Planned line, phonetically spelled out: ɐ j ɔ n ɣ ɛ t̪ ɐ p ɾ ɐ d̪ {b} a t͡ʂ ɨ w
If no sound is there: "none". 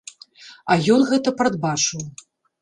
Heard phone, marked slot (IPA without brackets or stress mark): b